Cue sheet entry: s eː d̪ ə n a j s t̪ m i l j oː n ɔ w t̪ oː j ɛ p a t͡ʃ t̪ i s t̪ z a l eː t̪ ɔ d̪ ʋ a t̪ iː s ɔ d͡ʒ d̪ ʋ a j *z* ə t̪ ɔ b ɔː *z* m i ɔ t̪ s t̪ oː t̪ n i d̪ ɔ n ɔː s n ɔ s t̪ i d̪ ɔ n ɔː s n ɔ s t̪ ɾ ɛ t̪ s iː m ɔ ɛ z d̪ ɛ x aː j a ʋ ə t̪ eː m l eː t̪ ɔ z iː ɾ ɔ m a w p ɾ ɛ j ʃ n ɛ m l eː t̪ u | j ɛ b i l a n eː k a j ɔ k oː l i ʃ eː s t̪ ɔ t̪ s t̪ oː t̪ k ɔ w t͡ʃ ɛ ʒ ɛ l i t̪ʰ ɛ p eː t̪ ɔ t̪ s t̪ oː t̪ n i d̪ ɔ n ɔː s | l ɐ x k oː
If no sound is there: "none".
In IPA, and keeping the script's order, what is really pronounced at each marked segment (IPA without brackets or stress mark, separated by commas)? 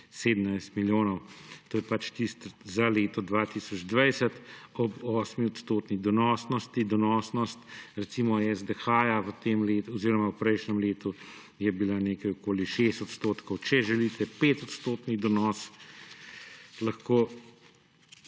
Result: s, s